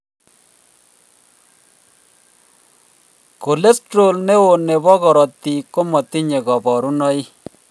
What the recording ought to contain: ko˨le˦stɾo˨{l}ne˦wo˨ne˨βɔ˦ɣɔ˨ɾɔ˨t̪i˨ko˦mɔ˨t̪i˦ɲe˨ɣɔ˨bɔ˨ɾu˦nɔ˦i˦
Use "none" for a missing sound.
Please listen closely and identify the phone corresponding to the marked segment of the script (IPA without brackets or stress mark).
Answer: l